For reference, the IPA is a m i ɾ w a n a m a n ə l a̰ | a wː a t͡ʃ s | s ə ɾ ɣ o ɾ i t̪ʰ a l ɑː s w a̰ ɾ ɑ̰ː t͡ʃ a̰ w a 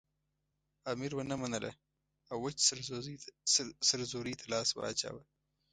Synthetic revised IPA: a m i ɾ w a n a m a n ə l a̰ | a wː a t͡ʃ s | s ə ɾ z o ɾ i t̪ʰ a l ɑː s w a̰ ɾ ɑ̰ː t͡ʃ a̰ w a